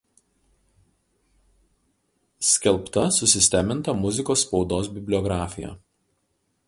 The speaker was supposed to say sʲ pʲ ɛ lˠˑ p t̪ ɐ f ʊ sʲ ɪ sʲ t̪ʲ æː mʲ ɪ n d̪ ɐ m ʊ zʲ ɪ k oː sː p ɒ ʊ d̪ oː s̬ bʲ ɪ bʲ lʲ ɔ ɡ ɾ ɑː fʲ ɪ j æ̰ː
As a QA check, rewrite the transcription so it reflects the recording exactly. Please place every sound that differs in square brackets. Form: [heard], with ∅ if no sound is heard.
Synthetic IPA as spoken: sʲ [kʲ] ɛ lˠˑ p t̪ ɐ [s] ʊ sʲ ɪ sʲ t̪ʲ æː mʲ ɪ n [t̪] ɐ m ʊ zʲ ɪ k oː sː p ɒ ʊ d̪ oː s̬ bʲ ɪ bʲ lʲ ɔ ɡ ɾ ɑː fʲ ɪ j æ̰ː